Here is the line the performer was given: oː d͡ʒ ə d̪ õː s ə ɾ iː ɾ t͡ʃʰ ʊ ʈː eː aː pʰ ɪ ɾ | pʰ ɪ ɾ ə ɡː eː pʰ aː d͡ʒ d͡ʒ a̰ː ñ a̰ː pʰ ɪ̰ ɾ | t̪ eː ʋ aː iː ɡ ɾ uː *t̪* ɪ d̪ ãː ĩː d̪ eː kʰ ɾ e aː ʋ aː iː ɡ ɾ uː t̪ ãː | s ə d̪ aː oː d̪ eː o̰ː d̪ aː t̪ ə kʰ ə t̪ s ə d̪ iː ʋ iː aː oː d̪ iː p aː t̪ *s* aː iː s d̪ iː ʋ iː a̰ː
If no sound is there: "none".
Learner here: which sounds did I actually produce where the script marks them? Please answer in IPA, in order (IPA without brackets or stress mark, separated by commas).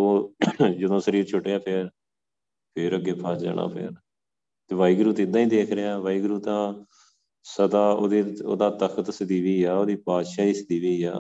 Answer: t̪, ʃ